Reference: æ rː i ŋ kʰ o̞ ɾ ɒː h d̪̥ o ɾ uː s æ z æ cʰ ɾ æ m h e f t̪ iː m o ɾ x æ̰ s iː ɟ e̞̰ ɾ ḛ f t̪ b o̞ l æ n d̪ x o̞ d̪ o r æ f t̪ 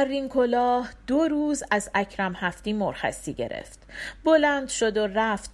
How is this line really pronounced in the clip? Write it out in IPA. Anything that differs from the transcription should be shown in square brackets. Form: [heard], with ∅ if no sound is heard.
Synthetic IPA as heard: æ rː i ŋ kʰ o̞ [l] ɒː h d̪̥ o ɾ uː [z] æ z æ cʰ ɾ æ m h [æ] f t̪ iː m o ɾ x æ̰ s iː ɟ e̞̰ ɾ ḛ f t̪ b o̞ l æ n d̪ [ʃ] o̞ d̪ o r æ f t̪